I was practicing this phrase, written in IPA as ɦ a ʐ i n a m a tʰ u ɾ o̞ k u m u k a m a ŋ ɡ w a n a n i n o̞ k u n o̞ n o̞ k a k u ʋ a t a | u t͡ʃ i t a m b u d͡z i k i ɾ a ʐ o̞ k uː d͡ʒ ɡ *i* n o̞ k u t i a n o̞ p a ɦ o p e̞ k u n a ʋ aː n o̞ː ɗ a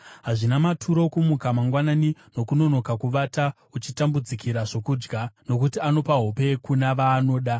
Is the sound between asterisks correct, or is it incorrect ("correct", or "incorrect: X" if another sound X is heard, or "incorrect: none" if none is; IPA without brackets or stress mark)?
incorrect: a